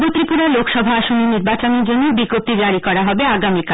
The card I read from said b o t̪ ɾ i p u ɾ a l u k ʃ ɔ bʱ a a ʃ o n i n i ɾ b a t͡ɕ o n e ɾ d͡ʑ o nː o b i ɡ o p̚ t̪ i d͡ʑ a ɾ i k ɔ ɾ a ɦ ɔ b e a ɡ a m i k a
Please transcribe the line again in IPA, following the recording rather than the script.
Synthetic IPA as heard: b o t̪ ɾ i p u ɾ a l o k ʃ ɔ bʱ a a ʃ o n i n i ɾ b a t͡ɕ o n e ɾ d͡ʑ o nː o b i ɡ o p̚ t̪ i d͡ʑ a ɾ i k ɔ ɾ a ɦ ɔ b e a ɡ a m i k a